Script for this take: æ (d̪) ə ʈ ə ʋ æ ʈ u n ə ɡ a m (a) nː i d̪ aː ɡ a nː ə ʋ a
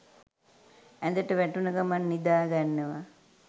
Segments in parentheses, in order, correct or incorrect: correct, correct

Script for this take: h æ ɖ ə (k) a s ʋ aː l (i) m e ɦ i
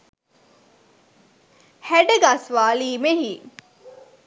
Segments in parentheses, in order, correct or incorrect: incorrect: ɡ, incorrect: iː

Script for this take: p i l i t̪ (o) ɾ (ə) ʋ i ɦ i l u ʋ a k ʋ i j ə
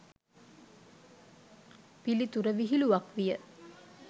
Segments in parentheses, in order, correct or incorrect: incorrect: u, correct

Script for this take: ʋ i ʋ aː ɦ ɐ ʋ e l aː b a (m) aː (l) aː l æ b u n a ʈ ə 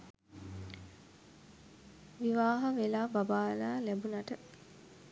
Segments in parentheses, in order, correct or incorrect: incorrect: b, correct

